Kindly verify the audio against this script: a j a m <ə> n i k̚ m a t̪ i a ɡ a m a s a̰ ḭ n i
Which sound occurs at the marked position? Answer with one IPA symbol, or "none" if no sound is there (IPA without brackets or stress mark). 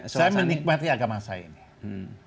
ə